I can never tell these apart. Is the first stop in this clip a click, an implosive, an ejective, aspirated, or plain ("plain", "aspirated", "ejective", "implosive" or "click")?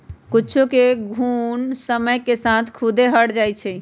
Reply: plain